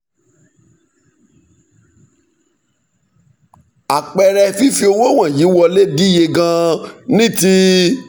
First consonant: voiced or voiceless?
voiceless